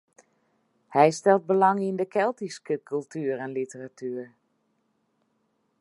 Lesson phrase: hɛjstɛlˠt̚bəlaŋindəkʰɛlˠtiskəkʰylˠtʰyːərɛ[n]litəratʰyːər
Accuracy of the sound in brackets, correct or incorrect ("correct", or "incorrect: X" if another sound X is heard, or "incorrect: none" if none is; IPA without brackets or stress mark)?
correct